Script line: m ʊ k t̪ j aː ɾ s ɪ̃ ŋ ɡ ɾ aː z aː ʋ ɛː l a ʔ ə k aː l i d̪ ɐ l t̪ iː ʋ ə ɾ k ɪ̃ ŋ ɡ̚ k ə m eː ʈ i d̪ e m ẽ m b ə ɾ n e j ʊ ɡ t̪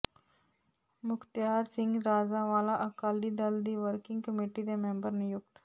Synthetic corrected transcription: m ʊ k t̪ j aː ɾ s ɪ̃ ŋ ɡ ɾ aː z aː ʋ aː l a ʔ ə k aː l i d̪ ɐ l d̪ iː ʋ ə ɾ k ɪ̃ ŋ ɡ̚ k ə m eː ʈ i d̪ e m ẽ m b ə ɾ n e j ʊ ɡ t̪